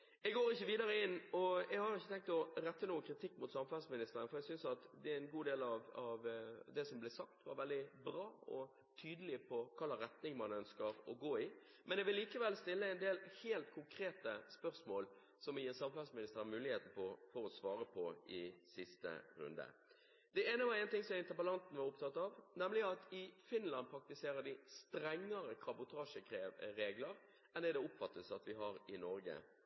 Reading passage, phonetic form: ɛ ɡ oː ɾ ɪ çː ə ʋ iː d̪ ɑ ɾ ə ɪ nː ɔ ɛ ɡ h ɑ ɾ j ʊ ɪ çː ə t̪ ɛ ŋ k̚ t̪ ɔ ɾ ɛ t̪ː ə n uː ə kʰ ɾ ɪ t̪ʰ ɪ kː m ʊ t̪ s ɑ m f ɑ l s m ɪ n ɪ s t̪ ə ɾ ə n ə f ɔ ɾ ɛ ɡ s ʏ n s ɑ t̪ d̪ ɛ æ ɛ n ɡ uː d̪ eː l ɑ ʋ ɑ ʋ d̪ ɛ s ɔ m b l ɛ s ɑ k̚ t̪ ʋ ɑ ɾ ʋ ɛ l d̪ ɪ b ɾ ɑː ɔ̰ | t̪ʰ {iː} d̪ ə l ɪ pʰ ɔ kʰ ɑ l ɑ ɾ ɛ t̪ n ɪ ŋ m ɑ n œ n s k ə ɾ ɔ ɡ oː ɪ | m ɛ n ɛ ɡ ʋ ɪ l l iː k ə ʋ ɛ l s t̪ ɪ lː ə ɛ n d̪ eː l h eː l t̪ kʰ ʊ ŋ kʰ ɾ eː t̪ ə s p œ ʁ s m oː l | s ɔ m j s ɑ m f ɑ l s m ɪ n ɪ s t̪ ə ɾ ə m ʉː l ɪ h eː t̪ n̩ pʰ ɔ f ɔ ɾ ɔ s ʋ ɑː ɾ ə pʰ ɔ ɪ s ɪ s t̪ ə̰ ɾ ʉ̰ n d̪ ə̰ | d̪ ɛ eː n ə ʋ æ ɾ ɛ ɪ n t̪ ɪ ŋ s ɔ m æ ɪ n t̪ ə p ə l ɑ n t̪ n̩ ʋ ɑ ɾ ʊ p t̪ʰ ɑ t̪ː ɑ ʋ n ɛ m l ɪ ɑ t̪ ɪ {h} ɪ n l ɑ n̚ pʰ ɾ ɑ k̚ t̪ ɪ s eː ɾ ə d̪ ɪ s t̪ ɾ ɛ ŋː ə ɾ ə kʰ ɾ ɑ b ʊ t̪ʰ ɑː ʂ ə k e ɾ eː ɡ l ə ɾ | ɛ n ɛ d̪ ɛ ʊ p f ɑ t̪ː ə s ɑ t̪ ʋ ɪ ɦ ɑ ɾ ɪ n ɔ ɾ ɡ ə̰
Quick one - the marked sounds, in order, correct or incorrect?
incorrect, incorrect

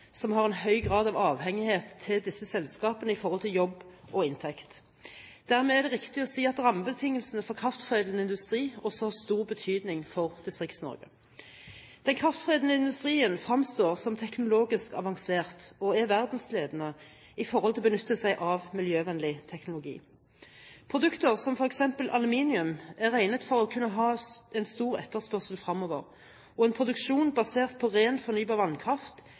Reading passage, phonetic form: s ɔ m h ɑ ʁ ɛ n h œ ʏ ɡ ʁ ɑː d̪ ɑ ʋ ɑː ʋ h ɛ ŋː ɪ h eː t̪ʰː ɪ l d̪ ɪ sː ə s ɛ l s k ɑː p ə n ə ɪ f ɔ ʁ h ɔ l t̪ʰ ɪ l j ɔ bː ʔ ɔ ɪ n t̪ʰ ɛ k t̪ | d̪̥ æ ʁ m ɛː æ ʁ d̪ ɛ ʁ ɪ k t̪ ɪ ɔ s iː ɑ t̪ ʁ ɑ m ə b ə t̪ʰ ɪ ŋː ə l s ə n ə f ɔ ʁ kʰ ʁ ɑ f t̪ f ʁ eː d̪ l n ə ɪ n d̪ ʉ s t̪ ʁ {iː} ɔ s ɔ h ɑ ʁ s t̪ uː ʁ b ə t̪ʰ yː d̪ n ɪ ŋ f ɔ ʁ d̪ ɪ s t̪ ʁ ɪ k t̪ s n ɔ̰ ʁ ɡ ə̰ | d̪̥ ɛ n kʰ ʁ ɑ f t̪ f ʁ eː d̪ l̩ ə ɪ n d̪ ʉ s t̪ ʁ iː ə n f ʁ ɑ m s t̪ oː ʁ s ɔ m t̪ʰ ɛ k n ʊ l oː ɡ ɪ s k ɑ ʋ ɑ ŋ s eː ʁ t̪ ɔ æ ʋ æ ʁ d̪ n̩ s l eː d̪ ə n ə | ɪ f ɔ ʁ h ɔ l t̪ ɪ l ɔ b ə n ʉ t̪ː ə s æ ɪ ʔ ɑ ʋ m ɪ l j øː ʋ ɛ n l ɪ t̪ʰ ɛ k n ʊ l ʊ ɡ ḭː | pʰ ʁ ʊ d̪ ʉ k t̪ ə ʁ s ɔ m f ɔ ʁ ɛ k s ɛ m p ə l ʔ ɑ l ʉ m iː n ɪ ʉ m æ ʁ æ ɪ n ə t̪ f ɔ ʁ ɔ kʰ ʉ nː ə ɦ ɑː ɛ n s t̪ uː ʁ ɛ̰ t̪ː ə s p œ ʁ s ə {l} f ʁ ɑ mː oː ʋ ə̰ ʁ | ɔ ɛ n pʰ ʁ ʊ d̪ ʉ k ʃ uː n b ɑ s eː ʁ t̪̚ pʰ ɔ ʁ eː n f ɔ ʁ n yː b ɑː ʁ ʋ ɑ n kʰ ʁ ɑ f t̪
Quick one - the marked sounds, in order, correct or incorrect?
correct, correct

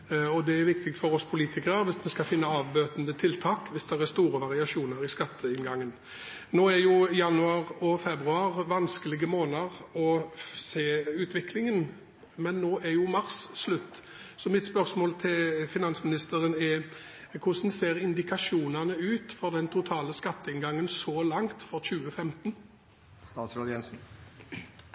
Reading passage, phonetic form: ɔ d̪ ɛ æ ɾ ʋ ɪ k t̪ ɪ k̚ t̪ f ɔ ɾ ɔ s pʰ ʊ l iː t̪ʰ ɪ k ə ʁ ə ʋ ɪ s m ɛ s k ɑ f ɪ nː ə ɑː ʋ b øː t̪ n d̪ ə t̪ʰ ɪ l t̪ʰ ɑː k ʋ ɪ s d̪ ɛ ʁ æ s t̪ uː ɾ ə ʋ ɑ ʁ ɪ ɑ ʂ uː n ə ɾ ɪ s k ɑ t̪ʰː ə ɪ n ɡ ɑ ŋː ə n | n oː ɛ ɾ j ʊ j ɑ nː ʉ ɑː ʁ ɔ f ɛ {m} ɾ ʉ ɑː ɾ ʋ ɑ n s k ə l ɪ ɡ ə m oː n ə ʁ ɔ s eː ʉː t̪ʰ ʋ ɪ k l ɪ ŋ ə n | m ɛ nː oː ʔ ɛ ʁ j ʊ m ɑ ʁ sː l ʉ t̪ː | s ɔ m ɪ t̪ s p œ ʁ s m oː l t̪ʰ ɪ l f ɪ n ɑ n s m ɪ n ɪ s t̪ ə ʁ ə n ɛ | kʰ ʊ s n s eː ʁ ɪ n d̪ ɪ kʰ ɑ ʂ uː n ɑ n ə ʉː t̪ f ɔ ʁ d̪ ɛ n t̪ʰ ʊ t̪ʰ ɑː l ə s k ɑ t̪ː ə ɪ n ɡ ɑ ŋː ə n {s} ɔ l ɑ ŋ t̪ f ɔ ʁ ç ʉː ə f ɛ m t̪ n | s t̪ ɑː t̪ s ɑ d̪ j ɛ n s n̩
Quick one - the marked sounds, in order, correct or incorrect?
incorrect, correct

